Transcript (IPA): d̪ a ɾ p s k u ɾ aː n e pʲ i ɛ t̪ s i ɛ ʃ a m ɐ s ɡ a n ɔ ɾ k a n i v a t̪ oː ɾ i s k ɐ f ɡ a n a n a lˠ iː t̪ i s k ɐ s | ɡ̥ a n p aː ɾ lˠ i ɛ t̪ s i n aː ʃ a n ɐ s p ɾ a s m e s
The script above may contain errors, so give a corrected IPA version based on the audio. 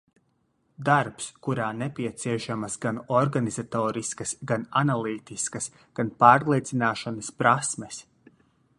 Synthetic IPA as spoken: d̪ a ɾ p s k u ɾ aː n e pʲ i ɛ t̪ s i ɛ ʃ a m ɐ s ɡ a n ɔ ɾ ɡ a n i z a t̪ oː ɾ i s k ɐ s ɡ a n a n a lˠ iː t̪ i s k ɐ s | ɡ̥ a n p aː ɾ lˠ i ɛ t̪ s i n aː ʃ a n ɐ s p ɾ a s m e s